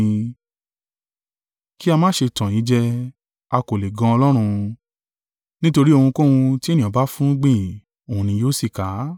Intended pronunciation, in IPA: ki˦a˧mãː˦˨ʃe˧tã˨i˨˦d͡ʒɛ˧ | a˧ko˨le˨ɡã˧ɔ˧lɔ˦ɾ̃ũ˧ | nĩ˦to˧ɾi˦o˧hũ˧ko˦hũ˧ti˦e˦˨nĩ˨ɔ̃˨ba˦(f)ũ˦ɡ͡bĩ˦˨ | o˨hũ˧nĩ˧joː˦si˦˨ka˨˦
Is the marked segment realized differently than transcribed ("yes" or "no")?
no